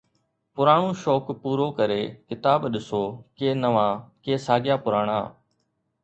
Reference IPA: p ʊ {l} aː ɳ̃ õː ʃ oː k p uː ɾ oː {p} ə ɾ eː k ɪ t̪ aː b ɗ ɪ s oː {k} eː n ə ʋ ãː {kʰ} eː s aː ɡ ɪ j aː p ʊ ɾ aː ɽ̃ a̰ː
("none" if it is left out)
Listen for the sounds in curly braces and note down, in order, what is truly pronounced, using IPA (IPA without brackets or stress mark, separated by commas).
ɾ, k, k, k